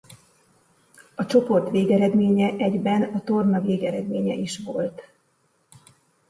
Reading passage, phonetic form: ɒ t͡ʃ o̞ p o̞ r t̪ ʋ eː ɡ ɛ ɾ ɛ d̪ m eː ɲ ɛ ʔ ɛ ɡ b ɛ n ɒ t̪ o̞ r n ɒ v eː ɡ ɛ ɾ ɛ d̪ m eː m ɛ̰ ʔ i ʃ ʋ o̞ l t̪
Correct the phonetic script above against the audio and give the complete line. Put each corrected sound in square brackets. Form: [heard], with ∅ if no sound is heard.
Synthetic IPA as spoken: ɒ t͡ʃ o̞ p o̞ r t̪ ʋ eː ɡ ɛ ɾ ɛ d̪ m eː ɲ ɛ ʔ ɛ [ɟ] b ɛ n ɒ t̪ o̞ r n ɒ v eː ɡ ɛ ɾ ɛ d̪ m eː [ɲ] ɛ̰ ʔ i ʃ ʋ o̞ l t̪